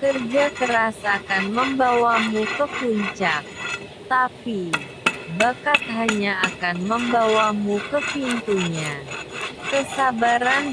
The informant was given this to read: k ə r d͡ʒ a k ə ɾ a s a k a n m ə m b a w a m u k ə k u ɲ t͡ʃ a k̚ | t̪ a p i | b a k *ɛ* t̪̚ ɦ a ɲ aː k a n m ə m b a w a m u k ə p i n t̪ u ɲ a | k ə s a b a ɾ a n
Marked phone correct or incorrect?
incorrect: a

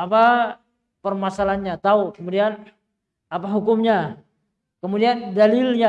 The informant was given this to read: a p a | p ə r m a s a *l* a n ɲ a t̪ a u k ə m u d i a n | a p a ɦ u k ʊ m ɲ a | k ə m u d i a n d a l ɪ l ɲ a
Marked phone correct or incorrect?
correct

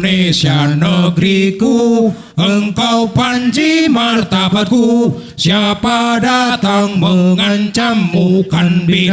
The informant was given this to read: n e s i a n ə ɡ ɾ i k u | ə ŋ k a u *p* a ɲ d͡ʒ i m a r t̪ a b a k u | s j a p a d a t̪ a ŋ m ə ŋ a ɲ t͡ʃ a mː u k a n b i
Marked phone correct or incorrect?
correct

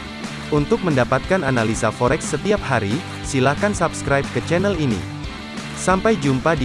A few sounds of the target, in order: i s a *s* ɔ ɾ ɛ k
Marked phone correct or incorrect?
incorrect: f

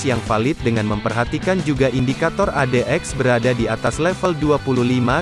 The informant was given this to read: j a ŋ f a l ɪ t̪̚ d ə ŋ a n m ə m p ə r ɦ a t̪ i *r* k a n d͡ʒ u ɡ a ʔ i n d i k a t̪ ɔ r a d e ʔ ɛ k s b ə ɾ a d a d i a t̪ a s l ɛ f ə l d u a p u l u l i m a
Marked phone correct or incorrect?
incorrect: none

